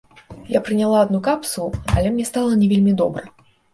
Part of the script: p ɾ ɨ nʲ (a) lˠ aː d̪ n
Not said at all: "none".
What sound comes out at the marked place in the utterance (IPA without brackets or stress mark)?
a